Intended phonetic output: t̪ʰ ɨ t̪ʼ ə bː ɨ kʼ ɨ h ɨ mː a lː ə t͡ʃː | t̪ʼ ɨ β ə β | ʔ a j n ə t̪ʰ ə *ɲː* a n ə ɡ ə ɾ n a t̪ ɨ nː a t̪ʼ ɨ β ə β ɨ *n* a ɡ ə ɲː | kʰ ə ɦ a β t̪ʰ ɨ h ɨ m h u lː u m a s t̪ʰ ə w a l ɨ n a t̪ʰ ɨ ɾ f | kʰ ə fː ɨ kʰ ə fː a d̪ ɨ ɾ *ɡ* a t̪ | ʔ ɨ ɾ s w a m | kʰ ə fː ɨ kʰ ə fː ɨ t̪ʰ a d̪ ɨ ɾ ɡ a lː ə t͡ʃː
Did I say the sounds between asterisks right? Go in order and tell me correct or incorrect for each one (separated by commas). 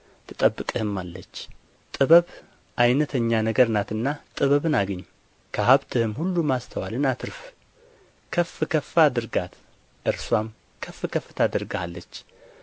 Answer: correct, correct, correct